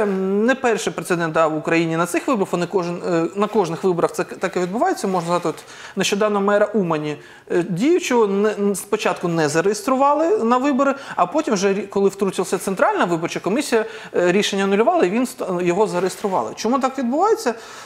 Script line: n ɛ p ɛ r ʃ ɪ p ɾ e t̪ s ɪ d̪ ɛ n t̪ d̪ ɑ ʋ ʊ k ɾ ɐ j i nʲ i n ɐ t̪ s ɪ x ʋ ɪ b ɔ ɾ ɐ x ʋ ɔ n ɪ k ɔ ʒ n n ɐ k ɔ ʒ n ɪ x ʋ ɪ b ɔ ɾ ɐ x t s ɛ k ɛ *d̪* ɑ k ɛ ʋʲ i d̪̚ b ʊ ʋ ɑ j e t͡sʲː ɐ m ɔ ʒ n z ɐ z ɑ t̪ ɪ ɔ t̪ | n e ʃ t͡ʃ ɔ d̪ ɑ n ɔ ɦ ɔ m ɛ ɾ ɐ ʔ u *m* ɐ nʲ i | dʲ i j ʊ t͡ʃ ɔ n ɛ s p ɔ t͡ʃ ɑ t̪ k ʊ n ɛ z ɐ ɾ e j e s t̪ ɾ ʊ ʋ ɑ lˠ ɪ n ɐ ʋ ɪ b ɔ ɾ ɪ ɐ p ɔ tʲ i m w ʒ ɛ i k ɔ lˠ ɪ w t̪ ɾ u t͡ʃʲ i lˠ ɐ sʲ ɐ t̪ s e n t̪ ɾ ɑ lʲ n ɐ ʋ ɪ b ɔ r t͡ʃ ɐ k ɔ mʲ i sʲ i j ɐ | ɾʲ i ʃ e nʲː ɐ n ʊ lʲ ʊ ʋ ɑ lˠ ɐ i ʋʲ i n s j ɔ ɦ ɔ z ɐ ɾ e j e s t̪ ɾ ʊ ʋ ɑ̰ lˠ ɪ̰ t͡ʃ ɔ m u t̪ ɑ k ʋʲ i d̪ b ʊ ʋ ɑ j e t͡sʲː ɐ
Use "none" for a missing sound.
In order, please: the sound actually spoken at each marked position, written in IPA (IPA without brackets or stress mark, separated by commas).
t̪, m